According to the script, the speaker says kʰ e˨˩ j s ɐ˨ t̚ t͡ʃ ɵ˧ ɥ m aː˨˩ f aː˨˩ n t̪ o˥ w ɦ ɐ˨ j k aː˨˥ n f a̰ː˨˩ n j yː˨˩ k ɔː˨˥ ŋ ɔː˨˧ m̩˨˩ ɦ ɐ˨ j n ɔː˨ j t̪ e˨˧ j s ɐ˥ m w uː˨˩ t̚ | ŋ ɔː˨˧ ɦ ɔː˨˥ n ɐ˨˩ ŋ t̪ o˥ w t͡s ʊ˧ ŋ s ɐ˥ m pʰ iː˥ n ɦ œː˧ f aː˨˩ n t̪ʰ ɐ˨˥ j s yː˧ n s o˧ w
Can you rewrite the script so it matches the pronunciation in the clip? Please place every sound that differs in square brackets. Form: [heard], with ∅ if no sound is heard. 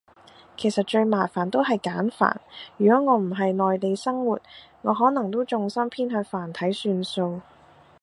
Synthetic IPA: kʰ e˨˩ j s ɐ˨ t̚ t͡ʃ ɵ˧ ɥ m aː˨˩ f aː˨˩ n t̪ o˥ w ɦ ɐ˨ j k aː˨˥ n f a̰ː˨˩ n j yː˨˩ k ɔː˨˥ ŋ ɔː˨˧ m̩˨˩ ɦ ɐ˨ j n ɔː˨ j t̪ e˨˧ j s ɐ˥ [ŋ] w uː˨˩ t̚ | ŋ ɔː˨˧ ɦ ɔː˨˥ n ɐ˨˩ ŋ t̪ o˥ w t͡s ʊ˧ ŋ s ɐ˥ m pʰ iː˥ n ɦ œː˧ f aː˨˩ n t̪ʰ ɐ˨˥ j s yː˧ n s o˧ w